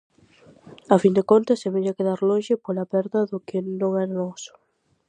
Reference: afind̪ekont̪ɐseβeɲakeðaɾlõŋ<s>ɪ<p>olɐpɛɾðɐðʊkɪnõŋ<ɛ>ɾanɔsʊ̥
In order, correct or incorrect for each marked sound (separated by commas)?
incorrect, correct, correct